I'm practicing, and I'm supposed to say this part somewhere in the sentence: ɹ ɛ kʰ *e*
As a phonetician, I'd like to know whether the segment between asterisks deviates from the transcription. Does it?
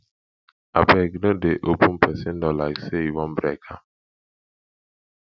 yes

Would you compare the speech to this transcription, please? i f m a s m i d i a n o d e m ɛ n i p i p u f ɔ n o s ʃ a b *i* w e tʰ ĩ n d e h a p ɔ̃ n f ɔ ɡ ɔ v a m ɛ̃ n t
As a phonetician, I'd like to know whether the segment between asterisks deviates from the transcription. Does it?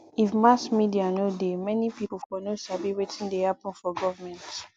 no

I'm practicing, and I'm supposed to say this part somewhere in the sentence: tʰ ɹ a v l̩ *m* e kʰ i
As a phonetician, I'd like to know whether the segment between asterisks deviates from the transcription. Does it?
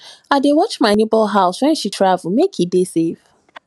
no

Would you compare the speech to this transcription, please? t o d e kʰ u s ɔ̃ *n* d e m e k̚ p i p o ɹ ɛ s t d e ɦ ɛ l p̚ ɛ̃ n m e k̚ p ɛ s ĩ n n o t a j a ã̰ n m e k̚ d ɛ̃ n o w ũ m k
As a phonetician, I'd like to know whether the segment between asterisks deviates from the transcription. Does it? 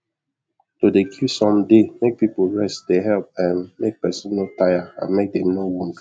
yes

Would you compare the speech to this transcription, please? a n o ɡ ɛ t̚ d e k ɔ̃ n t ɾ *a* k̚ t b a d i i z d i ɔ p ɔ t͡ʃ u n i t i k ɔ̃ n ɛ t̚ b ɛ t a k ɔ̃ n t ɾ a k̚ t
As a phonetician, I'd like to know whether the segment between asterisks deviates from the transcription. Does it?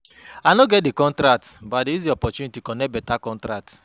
no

